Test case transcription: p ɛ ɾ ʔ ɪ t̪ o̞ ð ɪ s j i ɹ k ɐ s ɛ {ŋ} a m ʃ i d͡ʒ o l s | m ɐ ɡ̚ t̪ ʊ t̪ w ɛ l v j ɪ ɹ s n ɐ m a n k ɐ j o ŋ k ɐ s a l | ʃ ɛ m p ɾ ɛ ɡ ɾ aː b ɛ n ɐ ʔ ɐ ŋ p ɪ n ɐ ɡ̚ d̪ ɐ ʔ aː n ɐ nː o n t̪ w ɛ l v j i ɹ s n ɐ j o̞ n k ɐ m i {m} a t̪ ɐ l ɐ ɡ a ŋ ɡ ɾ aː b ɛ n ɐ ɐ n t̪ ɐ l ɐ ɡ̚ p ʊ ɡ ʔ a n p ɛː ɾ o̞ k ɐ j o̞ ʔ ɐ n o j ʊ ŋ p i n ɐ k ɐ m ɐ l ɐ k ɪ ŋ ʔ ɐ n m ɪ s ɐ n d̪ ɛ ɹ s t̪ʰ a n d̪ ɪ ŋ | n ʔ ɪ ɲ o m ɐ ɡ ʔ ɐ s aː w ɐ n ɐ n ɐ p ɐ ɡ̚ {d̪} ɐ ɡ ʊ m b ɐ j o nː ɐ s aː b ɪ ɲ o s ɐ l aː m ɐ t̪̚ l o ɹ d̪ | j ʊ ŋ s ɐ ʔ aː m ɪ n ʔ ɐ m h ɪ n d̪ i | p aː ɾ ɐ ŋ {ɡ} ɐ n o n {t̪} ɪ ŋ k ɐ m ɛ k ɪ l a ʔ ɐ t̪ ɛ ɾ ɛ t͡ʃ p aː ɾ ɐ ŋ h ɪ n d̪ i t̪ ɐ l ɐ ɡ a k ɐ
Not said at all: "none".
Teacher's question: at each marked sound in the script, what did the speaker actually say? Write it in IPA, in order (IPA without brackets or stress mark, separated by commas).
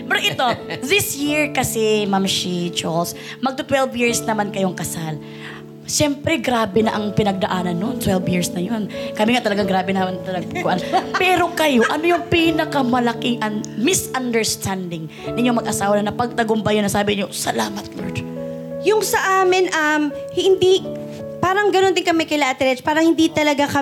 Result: m, ŋ, t̪, ɡ, d̪